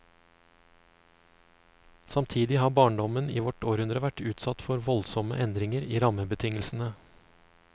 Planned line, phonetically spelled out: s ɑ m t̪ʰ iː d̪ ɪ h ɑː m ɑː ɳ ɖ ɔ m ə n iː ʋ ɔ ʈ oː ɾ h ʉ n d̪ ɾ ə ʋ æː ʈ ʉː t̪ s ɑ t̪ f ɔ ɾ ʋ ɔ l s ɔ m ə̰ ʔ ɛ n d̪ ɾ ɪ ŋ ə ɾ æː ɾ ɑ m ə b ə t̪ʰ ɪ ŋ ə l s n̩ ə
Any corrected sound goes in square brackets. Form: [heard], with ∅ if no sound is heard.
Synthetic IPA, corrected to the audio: s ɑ m t̪ʰ iː d̪ ɪ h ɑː [b] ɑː ɳ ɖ ɔ m ə n iː ʋ ɔ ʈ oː ɾ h ʉ n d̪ ɾ ə ʋ [æ] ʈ ʉː t̪ s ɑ t̪ f ɔ ɾ ʋ ɔ l s ɔ m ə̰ ʔ ɛ n d̪ ɾ ɪ ŋ ə ɾ [iː] ɾ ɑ m ə b ə t̪ʰ ɪ ŋ ə l s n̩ ə